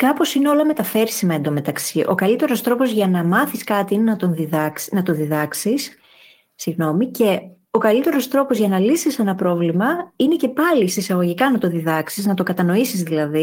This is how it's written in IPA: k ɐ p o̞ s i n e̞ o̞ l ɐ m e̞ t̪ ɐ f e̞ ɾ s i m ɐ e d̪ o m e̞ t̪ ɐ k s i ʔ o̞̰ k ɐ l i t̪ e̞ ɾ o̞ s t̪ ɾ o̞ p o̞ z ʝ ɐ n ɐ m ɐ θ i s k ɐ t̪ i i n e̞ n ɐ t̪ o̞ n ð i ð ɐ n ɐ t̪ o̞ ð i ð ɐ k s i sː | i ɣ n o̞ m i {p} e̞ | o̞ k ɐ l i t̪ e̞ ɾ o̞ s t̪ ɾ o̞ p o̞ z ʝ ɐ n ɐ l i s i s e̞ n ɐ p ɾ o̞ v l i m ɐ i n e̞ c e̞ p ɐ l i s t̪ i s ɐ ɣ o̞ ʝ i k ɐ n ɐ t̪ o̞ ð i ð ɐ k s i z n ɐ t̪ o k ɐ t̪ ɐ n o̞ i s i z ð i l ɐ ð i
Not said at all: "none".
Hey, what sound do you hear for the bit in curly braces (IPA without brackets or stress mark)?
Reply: c